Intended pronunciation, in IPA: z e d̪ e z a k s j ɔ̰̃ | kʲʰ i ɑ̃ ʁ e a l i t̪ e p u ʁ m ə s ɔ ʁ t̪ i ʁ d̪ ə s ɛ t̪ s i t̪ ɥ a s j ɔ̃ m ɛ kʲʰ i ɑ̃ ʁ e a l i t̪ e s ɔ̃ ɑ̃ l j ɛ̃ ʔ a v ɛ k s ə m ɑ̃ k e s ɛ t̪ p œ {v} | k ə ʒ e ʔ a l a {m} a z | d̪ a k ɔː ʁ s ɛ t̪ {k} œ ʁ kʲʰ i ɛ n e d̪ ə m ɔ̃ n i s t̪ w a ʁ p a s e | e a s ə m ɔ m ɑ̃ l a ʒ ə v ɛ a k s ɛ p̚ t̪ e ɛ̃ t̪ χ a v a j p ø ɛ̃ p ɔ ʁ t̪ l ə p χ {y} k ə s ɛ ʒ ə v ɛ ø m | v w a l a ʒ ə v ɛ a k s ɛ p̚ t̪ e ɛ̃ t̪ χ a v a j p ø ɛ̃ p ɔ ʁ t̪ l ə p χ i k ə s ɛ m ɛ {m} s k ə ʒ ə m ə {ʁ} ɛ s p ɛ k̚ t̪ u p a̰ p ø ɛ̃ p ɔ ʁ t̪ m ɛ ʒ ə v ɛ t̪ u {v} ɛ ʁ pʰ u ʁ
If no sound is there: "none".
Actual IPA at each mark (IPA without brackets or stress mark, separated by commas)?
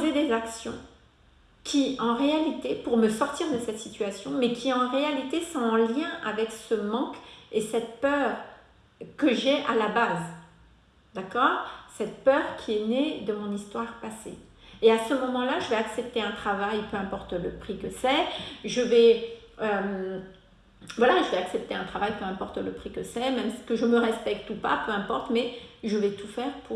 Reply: ʁ, b, p, i, m, ʁ, f